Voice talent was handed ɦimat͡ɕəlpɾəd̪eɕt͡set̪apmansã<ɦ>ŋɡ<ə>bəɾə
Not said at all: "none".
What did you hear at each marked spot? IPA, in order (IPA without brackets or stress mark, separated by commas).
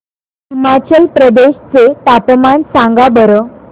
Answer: none, a